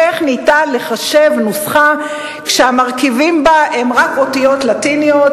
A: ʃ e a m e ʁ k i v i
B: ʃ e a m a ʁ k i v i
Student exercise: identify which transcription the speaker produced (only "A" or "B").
B